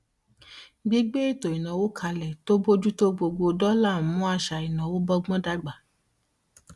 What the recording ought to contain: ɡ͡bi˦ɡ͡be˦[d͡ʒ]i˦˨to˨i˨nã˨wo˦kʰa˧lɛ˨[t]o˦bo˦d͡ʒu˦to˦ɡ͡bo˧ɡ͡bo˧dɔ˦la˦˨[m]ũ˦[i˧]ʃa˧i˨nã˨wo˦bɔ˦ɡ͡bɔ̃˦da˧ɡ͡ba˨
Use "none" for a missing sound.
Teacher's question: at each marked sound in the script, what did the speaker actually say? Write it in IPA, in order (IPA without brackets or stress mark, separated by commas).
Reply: none, t, m, a˧